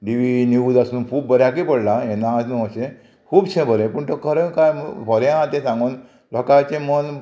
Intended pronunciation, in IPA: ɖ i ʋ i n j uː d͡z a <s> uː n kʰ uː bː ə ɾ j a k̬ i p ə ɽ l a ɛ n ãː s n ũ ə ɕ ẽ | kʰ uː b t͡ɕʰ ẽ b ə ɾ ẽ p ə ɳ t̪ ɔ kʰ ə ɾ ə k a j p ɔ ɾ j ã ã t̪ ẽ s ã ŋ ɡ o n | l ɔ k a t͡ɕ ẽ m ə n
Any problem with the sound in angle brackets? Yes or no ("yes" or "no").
no